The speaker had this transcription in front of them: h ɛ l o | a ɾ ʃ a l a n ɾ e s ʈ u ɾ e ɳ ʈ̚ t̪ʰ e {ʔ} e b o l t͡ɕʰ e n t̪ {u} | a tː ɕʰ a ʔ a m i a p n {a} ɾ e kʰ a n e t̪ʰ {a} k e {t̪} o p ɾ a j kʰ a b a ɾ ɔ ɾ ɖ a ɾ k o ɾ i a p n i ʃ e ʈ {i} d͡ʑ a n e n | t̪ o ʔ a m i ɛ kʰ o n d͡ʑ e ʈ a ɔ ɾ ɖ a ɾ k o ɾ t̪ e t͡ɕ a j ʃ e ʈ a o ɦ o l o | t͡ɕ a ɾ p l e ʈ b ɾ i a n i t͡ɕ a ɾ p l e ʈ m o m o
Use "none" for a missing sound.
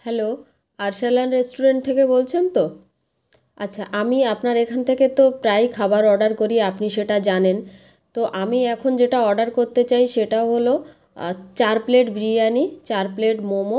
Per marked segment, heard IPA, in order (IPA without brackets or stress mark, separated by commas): k, o, a, e, t̪, a